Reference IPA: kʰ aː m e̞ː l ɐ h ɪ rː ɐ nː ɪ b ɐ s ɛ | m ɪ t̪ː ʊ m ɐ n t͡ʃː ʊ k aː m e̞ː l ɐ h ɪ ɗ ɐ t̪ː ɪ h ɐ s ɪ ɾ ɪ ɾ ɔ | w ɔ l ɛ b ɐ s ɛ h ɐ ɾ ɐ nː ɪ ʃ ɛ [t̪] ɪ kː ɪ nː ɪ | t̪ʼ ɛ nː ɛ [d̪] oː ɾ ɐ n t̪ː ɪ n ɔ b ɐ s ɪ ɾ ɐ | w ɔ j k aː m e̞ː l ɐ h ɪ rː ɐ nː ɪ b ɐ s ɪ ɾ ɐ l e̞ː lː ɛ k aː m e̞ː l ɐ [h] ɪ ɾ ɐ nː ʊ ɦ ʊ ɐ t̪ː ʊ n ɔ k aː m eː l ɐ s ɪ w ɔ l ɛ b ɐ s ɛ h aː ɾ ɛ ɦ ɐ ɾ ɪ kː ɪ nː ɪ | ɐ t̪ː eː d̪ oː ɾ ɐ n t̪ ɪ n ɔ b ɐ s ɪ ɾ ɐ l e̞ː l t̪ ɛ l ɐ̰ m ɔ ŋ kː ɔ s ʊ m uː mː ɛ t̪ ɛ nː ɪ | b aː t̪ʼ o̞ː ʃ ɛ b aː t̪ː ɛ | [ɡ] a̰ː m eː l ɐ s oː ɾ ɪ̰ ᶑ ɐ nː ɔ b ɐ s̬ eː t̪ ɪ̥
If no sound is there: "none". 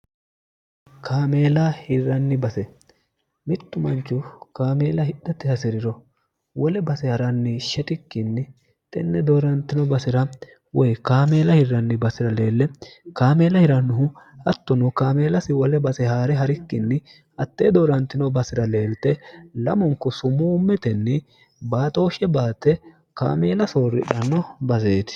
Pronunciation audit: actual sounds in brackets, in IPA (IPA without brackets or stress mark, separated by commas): t̪, d̪, h, k